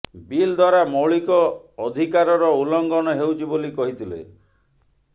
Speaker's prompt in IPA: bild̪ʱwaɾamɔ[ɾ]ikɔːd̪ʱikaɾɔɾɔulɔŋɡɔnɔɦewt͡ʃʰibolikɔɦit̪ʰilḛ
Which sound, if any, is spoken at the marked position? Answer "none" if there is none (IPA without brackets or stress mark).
ɭ